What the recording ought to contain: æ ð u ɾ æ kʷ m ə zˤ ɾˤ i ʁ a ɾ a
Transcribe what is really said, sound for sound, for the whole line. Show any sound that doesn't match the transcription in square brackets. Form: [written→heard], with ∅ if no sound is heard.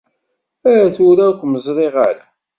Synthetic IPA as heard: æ [ð→θ] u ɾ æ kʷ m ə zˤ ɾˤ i ʁ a ɾ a